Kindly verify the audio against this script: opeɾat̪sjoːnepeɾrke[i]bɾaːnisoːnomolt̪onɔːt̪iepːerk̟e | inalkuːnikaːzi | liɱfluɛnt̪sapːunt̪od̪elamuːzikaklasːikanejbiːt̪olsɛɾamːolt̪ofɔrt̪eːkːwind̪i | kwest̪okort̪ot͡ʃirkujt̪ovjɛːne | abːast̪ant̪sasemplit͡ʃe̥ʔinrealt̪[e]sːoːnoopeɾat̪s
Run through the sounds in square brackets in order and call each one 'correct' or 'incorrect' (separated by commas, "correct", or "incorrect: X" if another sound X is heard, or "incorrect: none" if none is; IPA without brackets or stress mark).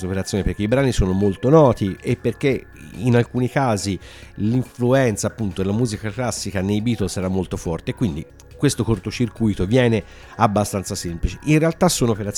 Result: correct, incorrect: a